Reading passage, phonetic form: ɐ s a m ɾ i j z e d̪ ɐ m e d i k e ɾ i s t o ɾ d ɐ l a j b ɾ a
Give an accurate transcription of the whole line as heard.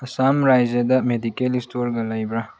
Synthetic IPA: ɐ s a m ɾ a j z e d̪ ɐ m e d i k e l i s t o ɾ ɡ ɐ l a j b ɾ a